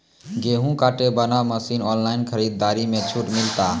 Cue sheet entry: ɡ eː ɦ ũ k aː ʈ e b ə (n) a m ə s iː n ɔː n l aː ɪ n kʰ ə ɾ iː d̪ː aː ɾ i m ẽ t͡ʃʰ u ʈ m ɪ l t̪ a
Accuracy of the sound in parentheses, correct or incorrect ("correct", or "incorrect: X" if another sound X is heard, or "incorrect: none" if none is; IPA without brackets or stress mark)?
correct